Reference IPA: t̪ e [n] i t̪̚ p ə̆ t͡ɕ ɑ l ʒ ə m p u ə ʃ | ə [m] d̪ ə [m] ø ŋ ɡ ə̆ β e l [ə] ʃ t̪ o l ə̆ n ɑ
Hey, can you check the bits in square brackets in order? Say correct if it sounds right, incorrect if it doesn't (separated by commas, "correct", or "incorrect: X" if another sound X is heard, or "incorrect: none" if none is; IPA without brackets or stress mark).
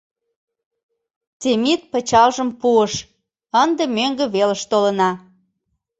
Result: incorrect: m, incorrect: n, correct, correct